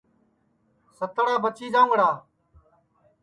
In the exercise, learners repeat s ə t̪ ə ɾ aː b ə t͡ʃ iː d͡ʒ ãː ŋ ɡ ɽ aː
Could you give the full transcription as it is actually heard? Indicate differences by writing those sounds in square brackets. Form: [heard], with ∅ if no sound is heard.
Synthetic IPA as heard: s ə t̪ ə [ɽ] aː b ə t͡ʃ iː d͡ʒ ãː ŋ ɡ ɽ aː